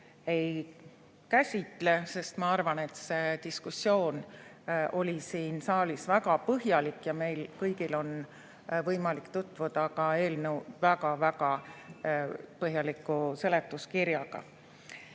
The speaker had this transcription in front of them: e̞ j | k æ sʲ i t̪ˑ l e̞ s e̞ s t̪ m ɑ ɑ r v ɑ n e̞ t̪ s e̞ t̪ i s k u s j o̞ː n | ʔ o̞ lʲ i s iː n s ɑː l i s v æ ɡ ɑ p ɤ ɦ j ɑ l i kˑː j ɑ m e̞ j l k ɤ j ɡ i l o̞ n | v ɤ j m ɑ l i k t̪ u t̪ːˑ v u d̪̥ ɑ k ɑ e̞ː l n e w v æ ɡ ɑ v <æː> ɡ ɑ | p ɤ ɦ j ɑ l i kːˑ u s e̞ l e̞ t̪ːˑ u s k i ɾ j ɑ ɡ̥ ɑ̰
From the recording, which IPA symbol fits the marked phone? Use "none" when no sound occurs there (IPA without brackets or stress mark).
æ